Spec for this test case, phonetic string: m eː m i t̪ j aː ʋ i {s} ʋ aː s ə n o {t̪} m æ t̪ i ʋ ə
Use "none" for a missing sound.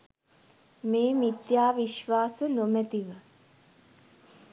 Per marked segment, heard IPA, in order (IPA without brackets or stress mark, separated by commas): ʃ, none